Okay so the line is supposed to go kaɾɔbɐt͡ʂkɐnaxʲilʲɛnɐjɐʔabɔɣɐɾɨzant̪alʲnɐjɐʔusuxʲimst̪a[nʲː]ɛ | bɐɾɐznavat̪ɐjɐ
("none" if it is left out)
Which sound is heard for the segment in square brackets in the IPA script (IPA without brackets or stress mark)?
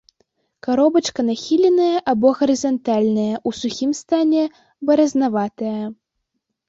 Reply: nʲ